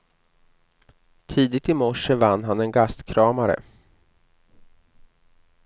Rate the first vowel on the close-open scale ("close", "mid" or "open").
close